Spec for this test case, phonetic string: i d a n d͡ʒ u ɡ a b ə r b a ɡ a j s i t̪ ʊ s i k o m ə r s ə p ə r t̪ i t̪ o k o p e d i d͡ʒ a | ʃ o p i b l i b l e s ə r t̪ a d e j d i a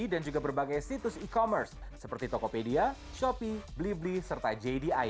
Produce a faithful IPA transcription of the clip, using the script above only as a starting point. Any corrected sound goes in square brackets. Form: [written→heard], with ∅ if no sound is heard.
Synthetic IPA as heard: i d a n d͡ʒ u ɡ a b ə r b a ɡ a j s i t̪ ʊ s i k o m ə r [s→sː] ə p ə r t̪ i t̪ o k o p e d i [d͡ʒ→∅] a | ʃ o p i b l i b l [e→i] s ə r t̪ a [d→d͡ʒ] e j d i a